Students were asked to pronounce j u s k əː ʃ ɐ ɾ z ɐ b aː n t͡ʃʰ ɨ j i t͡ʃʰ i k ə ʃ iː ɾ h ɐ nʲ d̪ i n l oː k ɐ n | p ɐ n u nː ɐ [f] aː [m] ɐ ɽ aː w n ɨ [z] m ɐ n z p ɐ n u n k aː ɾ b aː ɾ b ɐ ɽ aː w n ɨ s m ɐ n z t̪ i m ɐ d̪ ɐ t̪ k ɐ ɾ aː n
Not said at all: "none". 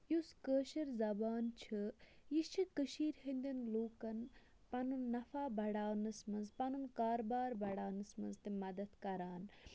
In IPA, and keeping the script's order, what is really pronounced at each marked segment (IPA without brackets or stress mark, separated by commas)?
f, b, s